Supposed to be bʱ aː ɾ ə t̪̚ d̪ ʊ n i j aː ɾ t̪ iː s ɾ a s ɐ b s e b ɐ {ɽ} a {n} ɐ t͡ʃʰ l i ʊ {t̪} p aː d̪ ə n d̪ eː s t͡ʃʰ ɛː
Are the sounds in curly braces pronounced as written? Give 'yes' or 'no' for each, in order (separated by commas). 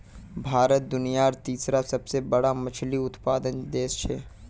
yes, no, yes